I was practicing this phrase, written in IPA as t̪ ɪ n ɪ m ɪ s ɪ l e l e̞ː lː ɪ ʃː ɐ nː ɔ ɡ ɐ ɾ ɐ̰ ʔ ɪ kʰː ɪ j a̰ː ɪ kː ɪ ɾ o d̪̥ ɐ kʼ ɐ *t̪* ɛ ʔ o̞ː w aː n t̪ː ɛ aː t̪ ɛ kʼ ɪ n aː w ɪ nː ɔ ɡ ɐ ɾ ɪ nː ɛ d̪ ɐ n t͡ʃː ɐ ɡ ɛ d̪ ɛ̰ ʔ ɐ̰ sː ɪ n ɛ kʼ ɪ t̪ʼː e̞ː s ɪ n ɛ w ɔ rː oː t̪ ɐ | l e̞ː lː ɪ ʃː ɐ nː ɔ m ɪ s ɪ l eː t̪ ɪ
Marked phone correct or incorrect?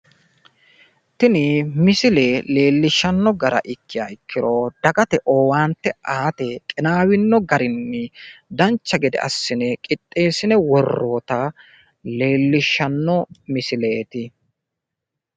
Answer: correct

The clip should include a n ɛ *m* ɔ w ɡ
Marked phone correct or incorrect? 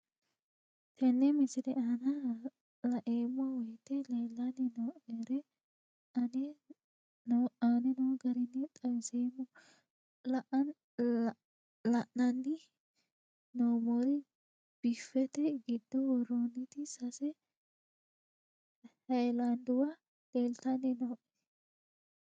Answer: incorrect: n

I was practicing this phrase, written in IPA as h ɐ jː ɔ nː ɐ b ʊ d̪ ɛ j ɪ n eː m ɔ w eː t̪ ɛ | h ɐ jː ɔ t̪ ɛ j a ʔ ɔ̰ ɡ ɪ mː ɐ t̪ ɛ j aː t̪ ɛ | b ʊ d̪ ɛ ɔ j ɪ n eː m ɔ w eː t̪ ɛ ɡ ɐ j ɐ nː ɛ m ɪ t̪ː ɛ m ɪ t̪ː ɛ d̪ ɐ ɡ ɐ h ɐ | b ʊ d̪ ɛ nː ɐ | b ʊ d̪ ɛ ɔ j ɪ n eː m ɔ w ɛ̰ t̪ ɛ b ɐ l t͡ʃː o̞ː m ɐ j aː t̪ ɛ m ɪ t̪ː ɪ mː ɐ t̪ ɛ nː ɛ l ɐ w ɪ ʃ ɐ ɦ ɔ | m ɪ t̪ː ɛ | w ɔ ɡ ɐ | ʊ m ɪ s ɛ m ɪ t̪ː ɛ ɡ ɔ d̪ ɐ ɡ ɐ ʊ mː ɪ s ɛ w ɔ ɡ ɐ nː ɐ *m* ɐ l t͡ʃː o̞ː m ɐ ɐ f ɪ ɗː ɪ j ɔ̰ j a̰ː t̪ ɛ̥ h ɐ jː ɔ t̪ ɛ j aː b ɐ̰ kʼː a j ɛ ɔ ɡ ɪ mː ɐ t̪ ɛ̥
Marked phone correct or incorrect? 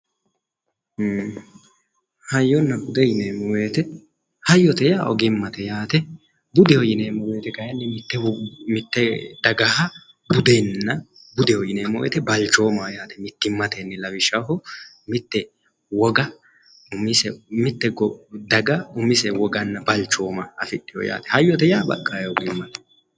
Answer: incorrect: b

